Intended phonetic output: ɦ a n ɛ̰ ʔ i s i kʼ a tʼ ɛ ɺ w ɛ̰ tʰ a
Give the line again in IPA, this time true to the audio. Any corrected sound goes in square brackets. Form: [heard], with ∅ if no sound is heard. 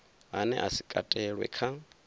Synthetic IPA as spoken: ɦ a n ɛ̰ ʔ [a] s i kʼ a tʼ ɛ ɺ w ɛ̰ [kʰ] a

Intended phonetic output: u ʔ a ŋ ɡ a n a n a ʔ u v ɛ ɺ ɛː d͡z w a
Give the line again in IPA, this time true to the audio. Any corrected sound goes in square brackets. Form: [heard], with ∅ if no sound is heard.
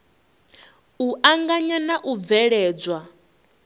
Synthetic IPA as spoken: u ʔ a ŋ ɡ a [ɲ] a n a ʔ u v ɛ ɺ ɛː d͡z w a

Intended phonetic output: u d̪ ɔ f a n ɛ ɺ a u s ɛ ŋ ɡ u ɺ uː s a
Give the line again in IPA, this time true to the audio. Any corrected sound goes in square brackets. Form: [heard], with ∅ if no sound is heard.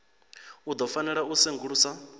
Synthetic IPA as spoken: u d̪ ɔ f a n ɛ ɺ a u s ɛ ŋ ɡ u ɺ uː s a

